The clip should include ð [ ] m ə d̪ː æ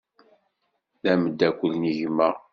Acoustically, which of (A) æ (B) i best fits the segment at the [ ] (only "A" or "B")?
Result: A